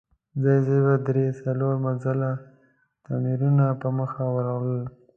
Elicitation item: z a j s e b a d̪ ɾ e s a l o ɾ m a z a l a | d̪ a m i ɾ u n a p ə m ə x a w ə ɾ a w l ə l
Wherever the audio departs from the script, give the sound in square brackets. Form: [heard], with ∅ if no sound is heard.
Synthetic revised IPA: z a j [z] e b a d̪ ɾ e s a l o ɾ m a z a l a | [t̪] a m i ɾ u n a p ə m ə x a w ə ɾ a w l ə l